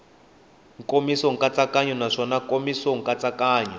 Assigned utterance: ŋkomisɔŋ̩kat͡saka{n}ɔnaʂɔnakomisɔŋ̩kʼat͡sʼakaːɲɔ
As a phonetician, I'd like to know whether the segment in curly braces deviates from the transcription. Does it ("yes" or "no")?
yes